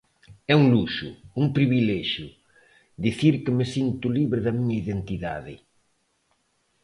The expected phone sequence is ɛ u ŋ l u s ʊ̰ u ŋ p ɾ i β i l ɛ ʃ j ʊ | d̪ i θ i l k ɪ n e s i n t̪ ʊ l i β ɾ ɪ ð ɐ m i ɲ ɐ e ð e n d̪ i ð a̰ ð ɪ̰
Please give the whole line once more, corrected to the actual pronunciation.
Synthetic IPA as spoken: ɛ u ŋ l u ʃ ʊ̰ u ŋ p ɾ i β i l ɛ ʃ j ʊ | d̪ i θ i ɾ k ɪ m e s i n t̪ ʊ l i β ɾ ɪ ð ɐ m i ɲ ɐ i ð e n t̪ i ð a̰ ð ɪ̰